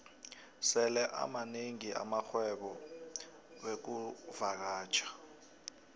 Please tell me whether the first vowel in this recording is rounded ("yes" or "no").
no